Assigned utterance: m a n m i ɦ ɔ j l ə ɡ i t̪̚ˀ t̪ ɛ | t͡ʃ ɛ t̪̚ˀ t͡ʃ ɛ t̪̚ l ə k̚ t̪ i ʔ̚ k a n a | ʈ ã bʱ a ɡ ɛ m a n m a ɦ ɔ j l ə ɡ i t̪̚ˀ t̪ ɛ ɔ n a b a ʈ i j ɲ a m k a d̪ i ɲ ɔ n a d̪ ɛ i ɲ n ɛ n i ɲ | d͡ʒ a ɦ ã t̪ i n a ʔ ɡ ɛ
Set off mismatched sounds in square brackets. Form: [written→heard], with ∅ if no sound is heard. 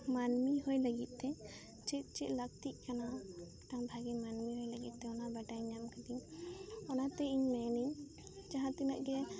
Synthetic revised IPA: m a n m i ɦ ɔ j l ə ɡ i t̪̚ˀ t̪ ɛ | t͡ʃ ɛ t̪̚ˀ t͡ʃ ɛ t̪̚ l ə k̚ t̪ i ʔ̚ k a n a | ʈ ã bʱ a ɡ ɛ m a n m [a→i] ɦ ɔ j l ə ɡ i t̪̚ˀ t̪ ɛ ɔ n a b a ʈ [i→a] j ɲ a m k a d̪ i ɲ ɔ n a [d̪→t̪] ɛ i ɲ [n→m] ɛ n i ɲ | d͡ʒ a ɦ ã t̪ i n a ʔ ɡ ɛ